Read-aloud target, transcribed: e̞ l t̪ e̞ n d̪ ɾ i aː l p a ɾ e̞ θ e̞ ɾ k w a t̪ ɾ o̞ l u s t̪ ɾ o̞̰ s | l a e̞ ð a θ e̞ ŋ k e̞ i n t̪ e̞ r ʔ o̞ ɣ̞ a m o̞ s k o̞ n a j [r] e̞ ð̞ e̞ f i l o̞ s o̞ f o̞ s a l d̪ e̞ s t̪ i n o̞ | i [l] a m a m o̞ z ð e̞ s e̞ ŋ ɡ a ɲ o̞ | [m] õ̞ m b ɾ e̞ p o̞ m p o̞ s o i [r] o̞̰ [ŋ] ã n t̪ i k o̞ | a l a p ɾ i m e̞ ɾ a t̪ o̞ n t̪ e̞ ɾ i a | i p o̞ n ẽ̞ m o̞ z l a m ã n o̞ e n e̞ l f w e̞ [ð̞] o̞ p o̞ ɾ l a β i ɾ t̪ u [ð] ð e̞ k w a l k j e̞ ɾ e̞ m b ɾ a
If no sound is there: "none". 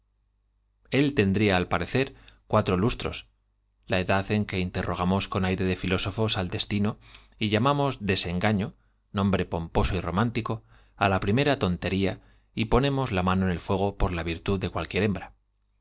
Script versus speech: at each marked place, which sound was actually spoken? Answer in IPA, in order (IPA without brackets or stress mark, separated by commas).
ɾ, ʎ, n, r, m, ɣ̞, ð